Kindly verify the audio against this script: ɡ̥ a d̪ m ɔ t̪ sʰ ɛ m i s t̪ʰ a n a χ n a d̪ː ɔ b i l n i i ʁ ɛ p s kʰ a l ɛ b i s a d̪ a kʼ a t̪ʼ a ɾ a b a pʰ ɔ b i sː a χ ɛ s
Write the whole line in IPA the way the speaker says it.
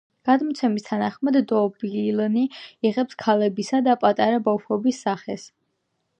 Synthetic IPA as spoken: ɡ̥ a d̪ m ɔ t̪ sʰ ɛ m i s t̪ʰ a n a χ m a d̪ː ɔ b i l n i i ʁ ɛ p s kʰ a l ɛ b i s a d̪ a pʼ a t̪ʼ a ɾ a b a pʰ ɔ b i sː a χ ɛ s

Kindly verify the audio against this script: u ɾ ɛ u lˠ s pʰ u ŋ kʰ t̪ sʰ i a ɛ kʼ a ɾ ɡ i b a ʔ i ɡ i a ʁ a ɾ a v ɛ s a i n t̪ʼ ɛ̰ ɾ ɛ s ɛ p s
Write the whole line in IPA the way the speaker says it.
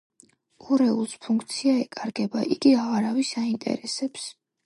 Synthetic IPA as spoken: u ɾ ɛ u lˠ s pʰ u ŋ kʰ t̪ sʰ i a ɛ kʼ a ɾ ɡ ɛ b a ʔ i ɡ i a ʁ a ɾ a v i s a i n t̪ʼ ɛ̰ ɾ ɛ s ɛ p s

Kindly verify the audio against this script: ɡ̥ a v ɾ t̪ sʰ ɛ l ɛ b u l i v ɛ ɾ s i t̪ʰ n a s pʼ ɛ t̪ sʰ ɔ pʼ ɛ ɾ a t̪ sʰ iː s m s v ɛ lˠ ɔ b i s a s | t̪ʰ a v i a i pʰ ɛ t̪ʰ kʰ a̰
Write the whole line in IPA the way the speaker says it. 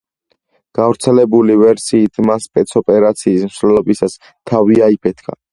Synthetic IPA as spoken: ɡ̥ a v ɾ t̪ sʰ ɛ l ɛ b u l i v ɛ ɾ s iː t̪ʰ m a s pʼ ɛ t̪ sʰ ɔ pʼ ɛ ɾ a t̪ sʰ iː s m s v ɛ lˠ ɔ b i s a s | t̪ʰ a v i a i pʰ ɛ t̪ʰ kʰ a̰

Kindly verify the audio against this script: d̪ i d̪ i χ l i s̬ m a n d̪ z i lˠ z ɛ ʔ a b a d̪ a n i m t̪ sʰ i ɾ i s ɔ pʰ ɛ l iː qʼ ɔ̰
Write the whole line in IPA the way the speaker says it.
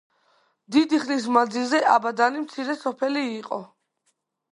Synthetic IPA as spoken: d̪ i d̪ i χ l i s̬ m a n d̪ z i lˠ z ɛ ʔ a b a d̪ a n i m t̪ sʰ i ɾ ɛ s ɔ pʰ ɛ l iː qʼ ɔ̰

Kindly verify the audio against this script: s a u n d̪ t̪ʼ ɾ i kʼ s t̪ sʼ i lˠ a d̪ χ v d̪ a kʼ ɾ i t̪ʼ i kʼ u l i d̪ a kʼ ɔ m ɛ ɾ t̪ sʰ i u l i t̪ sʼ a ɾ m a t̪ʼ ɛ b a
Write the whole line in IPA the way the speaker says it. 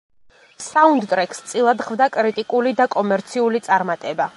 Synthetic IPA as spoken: s a u n d̪ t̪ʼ ɾ ɛ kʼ s t̪ sʼ i lˠ a d̪ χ v d̪ a kʼ ɾ i t̪ʼ i kʼ u l i d̪ a kʼ ɔ m ɛ ɾ t̪ sʰ i u l i t̪ sʼ a ɾ m a t̪ʼ ɛ b a

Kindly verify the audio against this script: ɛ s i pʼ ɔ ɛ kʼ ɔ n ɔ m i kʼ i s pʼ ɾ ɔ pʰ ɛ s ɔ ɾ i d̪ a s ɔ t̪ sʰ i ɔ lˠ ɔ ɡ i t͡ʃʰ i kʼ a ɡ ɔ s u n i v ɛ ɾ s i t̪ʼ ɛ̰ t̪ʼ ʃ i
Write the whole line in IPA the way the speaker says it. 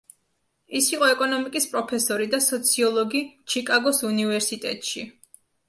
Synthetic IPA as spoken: i s i qʼ ɔ ɛ kʼ ɔ n ɔ m i kʼ i s pʼ ɾ ɔ pʰ ɛ s ɔ ɾ i d̪ a s ɔ t̪ sʰ i ɔ lˠ ɔ ɡ i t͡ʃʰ i kʼ a ɡ ɔ s u n i v ɛ ɾ s i t̪ʼ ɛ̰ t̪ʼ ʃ i

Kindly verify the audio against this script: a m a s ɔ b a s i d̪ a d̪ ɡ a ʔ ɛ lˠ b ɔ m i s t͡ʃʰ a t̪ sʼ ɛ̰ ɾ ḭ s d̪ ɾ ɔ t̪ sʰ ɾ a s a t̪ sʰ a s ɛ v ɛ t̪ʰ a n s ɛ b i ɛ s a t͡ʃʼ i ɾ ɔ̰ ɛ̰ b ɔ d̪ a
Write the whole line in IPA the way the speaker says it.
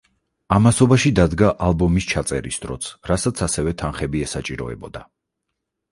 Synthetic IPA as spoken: a m a s ɔ b a ʃ i d̪ a d̪ ɡ a ʔ a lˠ b ɔ m i s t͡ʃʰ a t̪ sʼ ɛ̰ ɾ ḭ s d̪ ɾ ɔ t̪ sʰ ɾ a s a t̪ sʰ a s ɛ v ɛ t̪ʰ a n χ ɛ b i ɛ s a t͡ʃʼ i ɾ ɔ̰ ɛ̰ b ɔ d̪ a

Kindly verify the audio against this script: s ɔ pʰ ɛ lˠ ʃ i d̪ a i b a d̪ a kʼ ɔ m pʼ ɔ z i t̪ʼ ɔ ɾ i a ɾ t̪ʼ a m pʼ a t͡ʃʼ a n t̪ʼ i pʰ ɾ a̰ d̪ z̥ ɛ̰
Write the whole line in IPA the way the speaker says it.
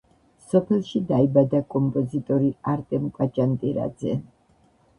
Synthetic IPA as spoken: s ɔ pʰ ɛ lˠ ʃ i d̪ a i b a d̪ a kʼ ɔ m pʼ ɔ z i t̪ʼ ɔ ɾ i a ɾ t̪ʼ ɛ m kʼ a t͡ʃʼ a n t̪ʼ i ɾ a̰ d̪ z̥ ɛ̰

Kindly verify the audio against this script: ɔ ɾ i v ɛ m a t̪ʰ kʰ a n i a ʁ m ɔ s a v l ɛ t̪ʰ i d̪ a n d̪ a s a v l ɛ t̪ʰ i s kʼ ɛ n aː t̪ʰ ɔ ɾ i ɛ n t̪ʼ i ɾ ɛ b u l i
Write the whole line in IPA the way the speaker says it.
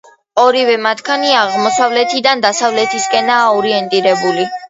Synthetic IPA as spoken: ɔ ɾ i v ɛ m a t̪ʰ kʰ a n i a ʁ m ɔ s a v l ɛ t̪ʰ i d̪ a n d̪ a s a v l ɛ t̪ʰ i s kʼ ɛ n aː ɔ ɾ i ɛ n t̪ʼ i ɾ ɛ b u l i

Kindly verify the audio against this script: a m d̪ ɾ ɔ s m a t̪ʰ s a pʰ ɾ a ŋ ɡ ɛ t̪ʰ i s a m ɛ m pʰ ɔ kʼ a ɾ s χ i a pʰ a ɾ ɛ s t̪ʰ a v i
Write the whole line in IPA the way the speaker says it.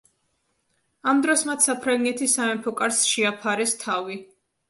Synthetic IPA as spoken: a m d̪ ɾ ɔ s m a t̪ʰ s a pʰ ɾ a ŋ ɡ ɛ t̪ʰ i s a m ɛ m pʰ ɔ kʼ a ɾ s ʃ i a pʰ a ɾ ɛ s t̪ʰ a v i

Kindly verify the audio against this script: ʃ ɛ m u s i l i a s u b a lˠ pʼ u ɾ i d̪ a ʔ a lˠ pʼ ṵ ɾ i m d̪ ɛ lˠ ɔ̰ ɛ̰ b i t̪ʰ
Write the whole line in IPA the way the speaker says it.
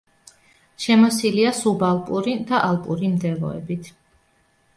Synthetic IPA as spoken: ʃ ɛ m ɔ s i l i a s u b a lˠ pʼ u ɾ i d̪ a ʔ a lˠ pʼ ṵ ɾ i m d̪ ɛ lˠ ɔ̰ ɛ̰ b i t̪ʰ

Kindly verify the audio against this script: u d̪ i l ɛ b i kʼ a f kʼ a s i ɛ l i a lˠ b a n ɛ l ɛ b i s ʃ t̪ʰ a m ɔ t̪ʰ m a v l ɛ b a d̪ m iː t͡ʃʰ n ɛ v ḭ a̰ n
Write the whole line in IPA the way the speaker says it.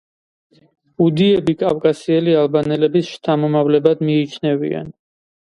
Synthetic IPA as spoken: u d̪ i ɛ b i kʼ a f kʼ a s i ɛ l i a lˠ b a n ɛ l ɛ b i s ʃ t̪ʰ a m ɔ m a v l ɛ b a d̪ m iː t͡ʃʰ n ɛ v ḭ a̰ n

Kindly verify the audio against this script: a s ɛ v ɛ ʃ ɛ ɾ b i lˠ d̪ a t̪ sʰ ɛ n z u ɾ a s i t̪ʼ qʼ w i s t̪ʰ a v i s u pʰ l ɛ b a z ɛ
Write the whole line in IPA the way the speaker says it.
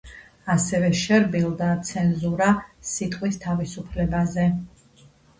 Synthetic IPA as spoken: a s ɛ v ɛ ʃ ɛ ɾ b i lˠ d̪ a t̪ sʰ ɛ n z u ɾ a s i t̪ʼ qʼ w i s t̪ʰ a v i s u pʰ l ɛ b a z ɛ

